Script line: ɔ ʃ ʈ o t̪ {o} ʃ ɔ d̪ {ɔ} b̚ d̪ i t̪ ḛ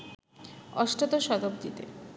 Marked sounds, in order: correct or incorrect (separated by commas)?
correct, incorrect